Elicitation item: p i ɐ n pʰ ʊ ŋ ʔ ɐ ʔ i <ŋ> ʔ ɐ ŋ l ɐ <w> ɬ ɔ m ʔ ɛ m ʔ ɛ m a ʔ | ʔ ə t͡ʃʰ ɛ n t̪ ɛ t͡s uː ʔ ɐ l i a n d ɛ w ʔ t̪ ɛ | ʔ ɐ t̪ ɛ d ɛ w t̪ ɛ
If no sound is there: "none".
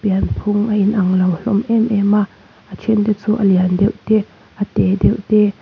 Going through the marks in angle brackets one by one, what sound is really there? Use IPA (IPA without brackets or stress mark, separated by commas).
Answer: n, w